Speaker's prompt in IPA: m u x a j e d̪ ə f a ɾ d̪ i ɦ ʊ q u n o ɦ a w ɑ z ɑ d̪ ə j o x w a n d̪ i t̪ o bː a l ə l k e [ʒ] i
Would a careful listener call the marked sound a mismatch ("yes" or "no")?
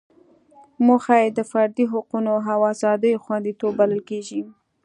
no